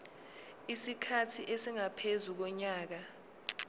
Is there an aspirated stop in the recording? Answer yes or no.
yes